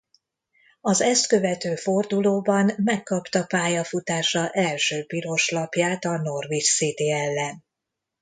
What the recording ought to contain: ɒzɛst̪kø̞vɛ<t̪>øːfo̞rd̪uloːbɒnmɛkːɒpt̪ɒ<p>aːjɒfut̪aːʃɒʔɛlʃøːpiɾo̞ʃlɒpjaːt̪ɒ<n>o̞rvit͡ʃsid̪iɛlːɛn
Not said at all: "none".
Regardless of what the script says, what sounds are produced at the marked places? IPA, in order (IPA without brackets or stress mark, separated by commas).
t̪, p, n